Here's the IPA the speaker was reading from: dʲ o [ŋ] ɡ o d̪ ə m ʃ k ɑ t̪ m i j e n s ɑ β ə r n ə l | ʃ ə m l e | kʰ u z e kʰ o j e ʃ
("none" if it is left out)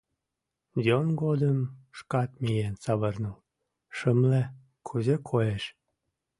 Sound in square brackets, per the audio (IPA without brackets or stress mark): n